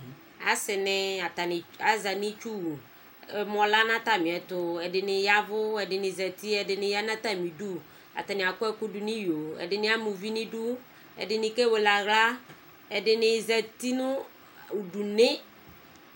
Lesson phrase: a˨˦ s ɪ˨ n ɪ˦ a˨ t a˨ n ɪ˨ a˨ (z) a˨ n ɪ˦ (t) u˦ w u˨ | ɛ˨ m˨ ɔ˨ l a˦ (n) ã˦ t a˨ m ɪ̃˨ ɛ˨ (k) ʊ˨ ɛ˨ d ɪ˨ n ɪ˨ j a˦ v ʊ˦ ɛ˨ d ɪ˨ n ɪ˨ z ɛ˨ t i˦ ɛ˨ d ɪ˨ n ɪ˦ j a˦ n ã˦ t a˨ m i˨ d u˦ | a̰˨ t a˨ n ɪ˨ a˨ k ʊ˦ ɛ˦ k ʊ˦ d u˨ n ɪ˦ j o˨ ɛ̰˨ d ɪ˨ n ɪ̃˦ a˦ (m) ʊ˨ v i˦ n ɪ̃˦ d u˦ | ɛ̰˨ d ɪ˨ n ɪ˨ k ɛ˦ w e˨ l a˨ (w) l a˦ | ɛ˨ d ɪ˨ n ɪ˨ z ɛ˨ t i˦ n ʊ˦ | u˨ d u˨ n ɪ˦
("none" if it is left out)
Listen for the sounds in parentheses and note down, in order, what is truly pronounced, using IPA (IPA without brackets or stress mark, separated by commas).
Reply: z, t͡ʃ, n, t, m, ɣ